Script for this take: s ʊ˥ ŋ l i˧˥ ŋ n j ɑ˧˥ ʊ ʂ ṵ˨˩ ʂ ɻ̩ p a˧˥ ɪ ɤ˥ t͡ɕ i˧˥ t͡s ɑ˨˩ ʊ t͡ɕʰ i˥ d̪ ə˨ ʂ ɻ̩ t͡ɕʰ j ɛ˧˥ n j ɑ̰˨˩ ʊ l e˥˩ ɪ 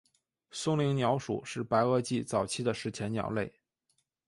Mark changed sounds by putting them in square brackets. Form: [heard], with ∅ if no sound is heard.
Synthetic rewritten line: s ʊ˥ ŋ l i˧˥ ŋ n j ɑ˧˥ ʊ ʂ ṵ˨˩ ʂ ɻ̩ p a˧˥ ɪ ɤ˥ t͡ɕ [i˥˩] t͡s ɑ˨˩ ʊ t͡ɕʰ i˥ d̪ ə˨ ʂ ɻ̩ t͡ɕʰ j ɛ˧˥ n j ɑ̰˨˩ ʊ l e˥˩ ɪ